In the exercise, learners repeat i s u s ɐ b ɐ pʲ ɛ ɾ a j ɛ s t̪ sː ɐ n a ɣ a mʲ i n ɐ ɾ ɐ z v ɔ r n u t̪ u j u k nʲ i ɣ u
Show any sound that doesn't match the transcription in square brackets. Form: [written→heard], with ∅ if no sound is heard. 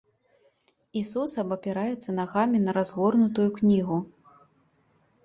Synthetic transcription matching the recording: i s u s ɐ b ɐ pʲ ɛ ɾ a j ɛ [s→∅] t̪ sː ɐ n a ɣ a mʲ i n ɐ ɾ [ɐ→a] z [v→ɣ] ɔ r n u t̪ u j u k nʲ i ɣ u